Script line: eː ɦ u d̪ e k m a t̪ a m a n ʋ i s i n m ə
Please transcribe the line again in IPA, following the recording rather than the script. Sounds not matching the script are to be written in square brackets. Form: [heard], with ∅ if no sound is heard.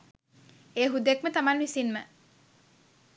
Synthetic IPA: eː ɦ u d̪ e k m [ə] t̪ a m a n ʋ i s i n m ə

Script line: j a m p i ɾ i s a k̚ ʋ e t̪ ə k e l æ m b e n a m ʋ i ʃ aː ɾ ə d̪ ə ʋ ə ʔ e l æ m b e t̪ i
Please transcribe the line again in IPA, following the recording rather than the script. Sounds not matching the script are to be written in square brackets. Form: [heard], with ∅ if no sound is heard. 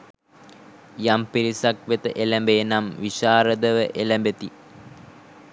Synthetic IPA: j a m p i ɾ i s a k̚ ʋ e t̪ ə [ʔ] e l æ m b e n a m ʋ i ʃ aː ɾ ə d̪ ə ʋ ə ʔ e l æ m b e t̪ i

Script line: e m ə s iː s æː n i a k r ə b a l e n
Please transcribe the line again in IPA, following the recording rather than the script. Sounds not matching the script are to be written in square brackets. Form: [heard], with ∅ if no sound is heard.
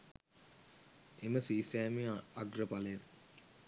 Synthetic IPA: e m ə s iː s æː [m] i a [ɡ] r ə [p] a l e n

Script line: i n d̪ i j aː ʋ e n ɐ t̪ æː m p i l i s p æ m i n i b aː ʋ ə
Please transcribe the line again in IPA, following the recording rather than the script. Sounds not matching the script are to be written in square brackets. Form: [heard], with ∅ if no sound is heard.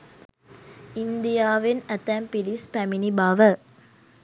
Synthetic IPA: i n d̪ i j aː ʋ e n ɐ t̪ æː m p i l i s p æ m i n i b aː ʋ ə

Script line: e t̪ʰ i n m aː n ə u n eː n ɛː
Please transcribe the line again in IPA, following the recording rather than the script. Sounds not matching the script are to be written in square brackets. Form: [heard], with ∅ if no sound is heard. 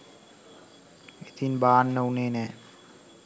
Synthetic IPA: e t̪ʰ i n [b] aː [nː] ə u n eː n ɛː

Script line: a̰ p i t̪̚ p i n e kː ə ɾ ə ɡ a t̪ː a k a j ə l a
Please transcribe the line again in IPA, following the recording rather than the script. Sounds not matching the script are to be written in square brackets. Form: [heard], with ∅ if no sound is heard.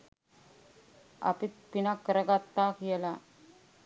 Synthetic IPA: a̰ p i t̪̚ p i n [a] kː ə ɾ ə ɡ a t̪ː a k [i] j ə l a

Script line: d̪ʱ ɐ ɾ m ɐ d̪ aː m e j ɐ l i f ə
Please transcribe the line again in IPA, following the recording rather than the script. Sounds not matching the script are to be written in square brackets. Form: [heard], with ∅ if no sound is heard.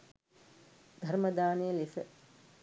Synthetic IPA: d̪ʱ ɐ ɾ m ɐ d̪ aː [n] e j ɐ l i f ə

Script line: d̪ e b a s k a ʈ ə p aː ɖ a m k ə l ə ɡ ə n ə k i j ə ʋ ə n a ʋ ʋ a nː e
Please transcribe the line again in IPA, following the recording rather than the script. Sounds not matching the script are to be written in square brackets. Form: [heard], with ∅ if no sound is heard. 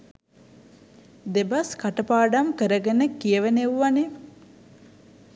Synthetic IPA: d̪ e b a s k a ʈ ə p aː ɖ a m k ə [ɾ] ə ɡ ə n ə k i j ə ʋ ə n [e] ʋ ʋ a [n] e

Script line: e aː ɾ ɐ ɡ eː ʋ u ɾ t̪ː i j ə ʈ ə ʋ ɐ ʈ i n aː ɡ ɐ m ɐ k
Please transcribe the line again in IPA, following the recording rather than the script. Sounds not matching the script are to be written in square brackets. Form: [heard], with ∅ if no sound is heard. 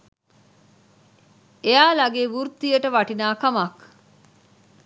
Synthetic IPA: e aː [l] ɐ ɡ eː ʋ u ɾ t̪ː i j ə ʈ ə ʋ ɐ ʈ i n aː [k] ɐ m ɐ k

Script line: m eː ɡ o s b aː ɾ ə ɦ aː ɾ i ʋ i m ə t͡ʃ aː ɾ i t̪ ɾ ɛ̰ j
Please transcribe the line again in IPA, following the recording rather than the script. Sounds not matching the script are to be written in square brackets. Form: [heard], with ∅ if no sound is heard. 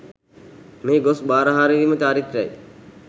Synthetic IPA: m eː ɡ o s b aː ɾ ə ɦ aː ɾ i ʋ i m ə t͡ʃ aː ɾ i t̪ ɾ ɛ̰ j

